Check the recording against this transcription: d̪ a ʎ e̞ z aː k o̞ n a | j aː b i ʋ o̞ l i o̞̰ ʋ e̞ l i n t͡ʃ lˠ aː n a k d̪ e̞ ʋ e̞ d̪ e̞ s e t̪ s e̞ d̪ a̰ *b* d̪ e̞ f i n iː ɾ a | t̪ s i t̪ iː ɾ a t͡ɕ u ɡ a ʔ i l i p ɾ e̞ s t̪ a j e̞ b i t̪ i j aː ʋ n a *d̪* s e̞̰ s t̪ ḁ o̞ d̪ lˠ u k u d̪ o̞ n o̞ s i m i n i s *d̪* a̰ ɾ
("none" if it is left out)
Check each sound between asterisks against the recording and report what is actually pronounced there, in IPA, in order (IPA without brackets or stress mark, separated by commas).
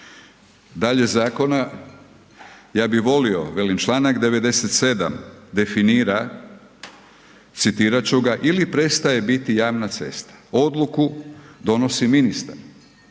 m, t̪, t̪